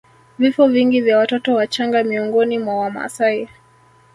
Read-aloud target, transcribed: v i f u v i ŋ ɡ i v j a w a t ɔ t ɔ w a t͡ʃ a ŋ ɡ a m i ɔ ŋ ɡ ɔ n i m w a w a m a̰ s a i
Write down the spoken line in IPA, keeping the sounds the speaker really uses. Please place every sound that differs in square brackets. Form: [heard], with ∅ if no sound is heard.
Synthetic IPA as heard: v i f [ɔ] v i ŋ ɡ i v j a w a t ɔ t ɔ w a t͡ʃ a ŋ ɡ a m i ɔ ŋ ɡ ɔ n i m w a w a m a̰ s a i

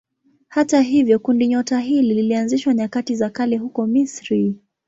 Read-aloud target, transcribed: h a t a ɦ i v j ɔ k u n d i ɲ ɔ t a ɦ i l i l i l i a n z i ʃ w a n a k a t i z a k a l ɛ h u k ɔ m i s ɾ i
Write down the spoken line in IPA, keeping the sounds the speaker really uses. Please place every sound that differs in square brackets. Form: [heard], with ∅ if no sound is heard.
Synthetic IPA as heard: h a t a ɦ i v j ɔ k u n d i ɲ ɔ t a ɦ i l i l i l i a n z i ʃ w a [ɲ] a k a t i z a k a l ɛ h u k ɔ m i s ɾ i

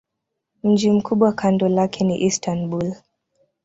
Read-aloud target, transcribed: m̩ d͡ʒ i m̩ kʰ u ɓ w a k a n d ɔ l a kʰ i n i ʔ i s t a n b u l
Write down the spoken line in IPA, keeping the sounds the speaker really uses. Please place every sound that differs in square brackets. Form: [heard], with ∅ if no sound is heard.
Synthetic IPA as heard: m̩ d͡ʒ i m̩ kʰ u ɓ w a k a n d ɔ l a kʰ [ɛ] n i ʔ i s t a n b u l

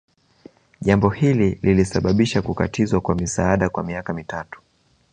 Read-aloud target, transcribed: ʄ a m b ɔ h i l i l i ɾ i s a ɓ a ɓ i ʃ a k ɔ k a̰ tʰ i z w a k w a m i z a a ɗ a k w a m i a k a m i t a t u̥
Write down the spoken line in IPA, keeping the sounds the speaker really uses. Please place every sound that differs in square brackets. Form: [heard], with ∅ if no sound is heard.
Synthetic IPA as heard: ʄ a m b ɔ h i l i l i [l] i s a ɓ a ɓ i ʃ a k [u] k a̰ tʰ i z w a k w a m i [s] a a ɗ a k w a m i a k a m i t a t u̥

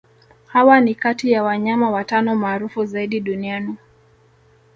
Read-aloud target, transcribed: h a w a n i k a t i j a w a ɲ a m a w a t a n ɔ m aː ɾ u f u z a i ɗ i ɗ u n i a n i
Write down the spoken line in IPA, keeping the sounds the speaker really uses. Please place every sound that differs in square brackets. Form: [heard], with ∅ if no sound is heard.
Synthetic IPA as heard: h a w a n i k a t i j a w a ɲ a m a w a t a n ɔ m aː ɾ u f u z a i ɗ i ɗ u n i a n i

